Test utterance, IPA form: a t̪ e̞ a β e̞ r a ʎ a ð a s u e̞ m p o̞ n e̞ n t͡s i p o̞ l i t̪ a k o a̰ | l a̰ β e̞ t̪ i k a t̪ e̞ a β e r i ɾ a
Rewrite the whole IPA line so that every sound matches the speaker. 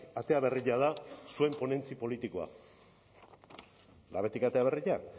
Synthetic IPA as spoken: a t̪ e̞ a β e̞ r i ʎ a ð a s u e̞ m p o̞ n e̞ n t͡s i p o̞ l i t̪ i k o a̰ | l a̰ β e̞ t̪ i k a t̪ e̞ a β e r i ʎ a